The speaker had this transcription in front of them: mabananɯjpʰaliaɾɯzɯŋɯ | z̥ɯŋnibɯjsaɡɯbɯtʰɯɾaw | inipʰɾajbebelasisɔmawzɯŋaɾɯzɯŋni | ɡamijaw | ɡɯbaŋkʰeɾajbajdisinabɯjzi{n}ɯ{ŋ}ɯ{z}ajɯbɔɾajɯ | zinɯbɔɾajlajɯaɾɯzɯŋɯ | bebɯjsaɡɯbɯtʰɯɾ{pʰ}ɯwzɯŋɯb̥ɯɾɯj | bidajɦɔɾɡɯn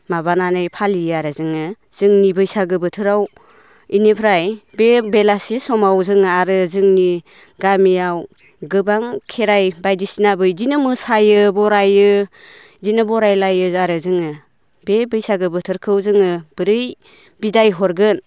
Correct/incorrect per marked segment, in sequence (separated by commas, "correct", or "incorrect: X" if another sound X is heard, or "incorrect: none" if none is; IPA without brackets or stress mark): correct, incorrect: m, incorrect: s, incorrect: kʰ